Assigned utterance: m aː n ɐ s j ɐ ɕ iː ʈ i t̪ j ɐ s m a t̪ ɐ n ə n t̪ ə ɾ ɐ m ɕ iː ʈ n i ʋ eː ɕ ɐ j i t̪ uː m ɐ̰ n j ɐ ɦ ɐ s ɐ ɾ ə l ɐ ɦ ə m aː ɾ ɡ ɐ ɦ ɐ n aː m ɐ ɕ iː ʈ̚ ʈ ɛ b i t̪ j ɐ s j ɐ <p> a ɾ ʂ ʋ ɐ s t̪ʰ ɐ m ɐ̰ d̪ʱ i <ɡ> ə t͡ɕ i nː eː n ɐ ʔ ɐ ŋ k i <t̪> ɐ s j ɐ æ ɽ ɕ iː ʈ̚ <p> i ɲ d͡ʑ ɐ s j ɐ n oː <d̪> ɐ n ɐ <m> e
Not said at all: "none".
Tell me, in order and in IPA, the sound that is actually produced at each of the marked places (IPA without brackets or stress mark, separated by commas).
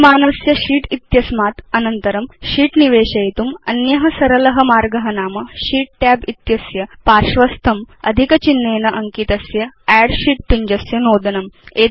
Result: p, k, t̪, p, d̪, m